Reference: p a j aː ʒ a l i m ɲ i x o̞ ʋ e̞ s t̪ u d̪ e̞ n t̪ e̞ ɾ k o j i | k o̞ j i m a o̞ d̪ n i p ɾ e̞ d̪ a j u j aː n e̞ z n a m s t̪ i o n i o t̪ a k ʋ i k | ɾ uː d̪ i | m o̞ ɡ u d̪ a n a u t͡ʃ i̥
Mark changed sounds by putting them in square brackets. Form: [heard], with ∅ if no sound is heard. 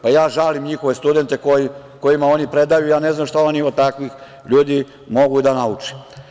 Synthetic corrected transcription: p a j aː ʒ a l i m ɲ i x o̞ ʋ e̞ s t̪ u d̪ e̞ n t̪ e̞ [∅] k o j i | k o̞ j i m a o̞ [∅] n i p ɾ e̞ d̪ a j u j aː n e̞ z n a m [ʃ] t̪ [a] o n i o t̪ a k ʋ i [x] | [ʎ] uː d̪ i | m o̞ ɡ u d̪ a n a u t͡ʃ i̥